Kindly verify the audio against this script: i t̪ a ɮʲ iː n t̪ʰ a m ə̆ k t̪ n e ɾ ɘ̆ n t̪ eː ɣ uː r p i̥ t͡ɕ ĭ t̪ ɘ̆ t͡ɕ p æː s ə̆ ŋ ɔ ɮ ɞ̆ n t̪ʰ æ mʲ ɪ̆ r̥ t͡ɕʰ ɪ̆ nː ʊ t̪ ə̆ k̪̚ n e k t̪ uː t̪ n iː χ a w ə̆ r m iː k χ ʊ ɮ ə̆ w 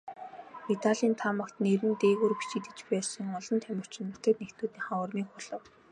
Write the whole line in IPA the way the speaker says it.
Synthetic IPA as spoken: i t̪ a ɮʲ iː n t̪ʰ a m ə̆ k t̪ n e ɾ ɘ̆ n t̪ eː ɣ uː r p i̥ t͡ɕ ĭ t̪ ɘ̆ t͡ɕ p æː s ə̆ ŋ ɔ ɮ ɞ̆ n t̪ʰ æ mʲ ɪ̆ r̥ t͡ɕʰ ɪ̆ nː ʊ t̪ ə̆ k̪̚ n e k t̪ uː t̪ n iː χ a w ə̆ r m iː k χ ʊ ɮ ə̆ w